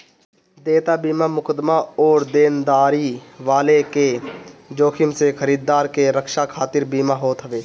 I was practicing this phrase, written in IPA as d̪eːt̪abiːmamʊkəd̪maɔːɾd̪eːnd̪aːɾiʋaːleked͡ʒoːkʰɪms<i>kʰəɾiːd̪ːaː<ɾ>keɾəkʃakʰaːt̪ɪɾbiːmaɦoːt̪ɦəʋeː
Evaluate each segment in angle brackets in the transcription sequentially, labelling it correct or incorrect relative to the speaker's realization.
incorrect, correct

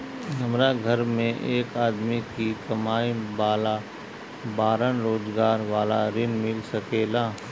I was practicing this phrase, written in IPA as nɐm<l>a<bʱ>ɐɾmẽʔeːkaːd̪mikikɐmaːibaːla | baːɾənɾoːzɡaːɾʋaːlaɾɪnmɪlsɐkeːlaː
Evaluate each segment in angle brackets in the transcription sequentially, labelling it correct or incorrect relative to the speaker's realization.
incorrect, incorrect

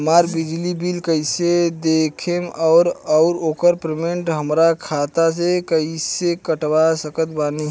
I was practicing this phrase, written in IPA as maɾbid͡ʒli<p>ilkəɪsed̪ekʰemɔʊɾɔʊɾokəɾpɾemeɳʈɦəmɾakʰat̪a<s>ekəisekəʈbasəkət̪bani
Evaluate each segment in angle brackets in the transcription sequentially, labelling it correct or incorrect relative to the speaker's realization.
incorrect, correct

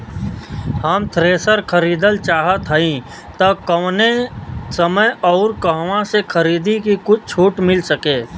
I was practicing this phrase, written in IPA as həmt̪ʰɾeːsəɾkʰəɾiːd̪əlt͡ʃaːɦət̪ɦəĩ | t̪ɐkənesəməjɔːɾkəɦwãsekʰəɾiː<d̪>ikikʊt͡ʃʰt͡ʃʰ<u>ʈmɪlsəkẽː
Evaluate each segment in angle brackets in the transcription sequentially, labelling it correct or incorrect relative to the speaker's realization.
correct, incorrect

